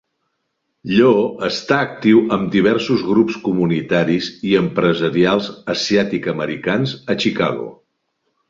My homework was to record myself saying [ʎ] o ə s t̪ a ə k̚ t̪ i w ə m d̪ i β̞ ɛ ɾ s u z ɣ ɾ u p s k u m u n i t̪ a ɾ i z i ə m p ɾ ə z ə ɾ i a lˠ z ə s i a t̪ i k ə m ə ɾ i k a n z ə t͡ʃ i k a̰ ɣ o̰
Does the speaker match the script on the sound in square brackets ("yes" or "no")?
yes